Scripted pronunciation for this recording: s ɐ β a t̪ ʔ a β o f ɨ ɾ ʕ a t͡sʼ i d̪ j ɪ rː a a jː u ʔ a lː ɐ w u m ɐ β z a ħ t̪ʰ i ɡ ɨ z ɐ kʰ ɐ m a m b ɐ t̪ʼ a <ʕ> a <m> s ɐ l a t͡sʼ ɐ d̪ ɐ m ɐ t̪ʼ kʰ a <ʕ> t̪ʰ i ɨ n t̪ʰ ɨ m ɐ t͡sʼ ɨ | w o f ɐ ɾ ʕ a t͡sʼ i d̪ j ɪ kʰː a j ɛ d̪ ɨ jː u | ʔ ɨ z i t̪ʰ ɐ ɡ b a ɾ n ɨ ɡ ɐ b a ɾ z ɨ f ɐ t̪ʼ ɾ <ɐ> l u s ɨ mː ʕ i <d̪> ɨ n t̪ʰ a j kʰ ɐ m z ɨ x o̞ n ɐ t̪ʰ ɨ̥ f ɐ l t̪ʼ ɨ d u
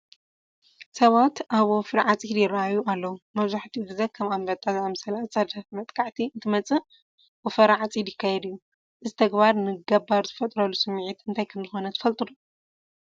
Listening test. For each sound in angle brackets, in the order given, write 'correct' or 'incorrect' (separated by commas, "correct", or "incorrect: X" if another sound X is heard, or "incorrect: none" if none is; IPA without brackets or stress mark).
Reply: incorrect: z, correct, correct, correct, incorrect: t̪